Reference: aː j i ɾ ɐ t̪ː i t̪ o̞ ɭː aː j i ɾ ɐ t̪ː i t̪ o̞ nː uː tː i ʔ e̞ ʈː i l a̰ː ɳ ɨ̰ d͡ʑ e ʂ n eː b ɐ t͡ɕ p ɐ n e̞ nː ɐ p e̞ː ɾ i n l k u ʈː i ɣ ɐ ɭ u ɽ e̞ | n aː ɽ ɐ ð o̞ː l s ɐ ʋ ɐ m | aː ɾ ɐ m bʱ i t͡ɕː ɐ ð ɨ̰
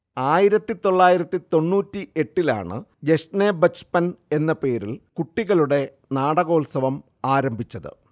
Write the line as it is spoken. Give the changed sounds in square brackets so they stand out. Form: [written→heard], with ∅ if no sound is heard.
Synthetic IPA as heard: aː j i ɾ ɐ t̪ː i t̪ o̞ ɭː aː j i ɾ ɐ t̪ː i t̪ o̞ nː uː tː i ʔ e̞ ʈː i l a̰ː ɳ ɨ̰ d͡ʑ e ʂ n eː b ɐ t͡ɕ p ɐ n e̞ nː ɐ p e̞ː ɾ i [n→∅] l k u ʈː i ɣ ɐ ɭ u ɽ e̞ | n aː ɽ ɐ [ð→ɣ] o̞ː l s ɐ ʋ ɐ m | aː ɾ ɐ m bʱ i t͡ɕː ɐ ð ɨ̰